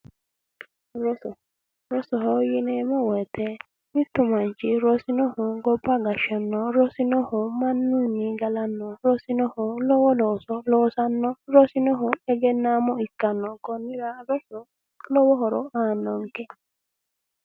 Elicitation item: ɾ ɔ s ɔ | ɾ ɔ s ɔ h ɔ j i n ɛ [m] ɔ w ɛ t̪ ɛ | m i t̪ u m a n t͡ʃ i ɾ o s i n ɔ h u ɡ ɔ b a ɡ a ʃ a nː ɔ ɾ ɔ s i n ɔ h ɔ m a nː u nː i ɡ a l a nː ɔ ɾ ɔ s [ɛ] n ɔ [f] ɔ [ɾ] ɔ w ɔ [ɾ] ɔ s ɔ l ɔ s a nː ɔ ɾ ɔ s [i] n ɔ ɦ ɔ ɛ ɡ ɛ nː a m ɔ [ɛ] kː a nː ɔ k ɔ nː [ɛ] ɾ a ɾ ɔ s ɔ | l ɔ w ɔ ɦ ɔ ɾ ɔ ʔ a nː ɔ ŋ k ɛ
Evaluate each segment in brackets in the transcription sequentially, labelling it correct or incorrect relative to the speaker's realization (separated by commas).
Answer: correct, incorrect, incorrect, incorrect, incorrect, correct, incorrect, incorrect